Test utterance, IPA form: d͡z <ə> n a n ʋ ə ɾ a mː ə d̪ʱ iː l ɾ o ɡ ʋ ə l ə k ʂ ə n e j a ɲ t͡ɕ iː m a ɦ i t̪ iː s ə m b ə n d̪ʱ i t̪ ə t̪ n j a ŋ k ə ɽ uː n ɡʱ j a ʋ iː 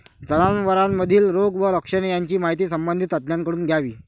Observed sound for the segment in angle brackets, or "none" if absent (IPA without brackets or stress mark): ə